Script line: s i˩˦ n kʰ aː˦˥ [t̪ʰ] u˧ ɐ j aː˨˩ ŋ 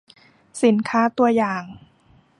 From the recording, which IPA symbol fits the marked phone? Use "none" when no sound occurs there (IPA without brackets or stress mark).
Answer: t̪